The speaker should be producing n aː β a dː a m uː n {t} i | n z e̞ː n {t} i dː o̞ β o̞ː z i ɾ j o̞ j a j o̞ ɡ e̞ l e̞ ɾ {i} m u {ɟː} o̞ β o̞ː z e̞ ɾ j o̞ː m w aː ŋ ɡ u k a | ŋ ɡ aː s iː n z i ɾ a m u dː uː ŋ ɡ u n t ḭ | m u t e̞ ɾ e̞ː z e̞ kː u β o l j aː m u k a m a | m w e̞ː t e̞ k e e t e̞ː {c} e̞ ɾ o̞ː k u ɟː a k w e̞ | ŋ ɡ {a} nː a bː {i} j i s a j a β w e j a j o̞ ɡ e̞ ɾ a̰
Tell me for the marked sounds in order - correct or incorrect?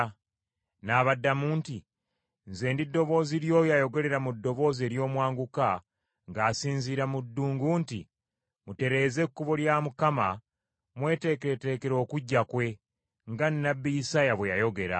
correct, incorrect, incorrect, incorrect, incorrect, correct, correct

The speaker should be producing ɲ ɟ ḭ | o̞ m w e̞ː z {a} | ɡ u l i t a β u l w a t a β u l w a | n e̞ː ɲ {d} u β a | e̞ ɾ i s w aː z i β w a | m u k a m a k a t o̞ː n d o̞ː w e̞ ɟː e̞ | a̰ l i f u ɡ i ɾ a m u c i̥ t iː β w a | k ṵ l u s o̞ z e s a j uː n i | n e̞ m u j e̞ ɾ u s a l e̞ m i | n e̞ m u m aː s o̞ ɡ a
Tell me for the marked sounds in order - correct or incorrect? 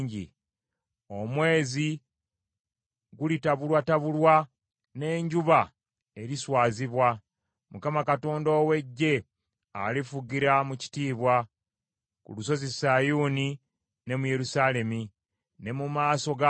incorrect, incorrect

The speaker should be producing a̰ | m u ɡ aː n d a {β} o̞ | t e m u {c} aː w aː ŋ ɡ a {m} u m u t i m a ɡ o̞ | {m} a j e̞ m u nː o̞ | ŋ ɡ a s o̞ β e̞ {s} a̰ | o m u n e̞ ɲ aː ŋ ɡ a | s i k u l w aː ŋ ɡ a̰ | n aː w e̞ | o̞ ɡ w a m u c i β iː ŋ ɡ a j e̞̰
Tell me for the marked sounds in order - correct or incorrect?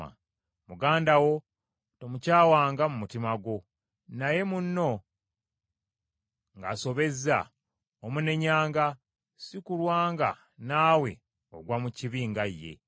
incorrect, correct, correct, incorrect, incorrect

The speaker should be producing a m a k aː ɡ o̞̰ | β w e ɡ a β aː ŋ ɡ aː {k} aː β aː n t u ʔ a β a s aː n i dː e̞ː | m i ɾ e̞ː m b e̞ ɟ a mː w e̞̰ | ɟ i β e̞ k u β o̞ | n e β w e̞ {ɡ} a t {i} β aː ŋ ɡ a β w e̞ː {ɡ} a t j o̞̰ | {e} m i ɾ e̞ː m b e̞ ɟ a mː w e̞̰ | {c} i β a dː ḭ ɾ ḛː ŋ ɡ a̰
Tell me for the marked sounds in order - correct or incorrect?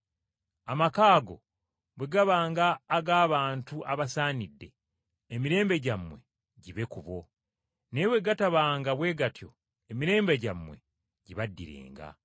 incorrect, correct, incorrect, correct, correct, incorrect

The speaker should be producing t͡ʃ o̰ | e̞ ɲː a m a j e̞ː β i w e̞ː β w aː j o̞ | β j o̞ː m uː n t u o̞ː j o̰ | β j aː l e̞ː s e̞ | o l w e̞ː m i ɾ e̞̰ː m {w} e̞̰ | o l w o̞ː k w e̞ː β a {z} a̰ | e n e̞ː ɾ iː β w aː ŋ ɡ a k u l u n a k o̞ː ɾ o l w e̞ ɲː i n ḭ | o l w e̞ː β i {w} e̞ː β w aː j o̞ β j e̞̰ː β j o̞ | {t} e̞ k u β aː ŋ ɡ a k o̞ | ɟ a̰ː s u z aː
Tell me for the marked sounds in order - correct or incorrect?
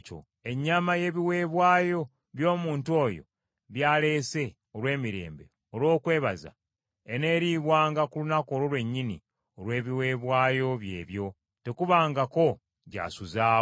incorrect, correct, correct, correct

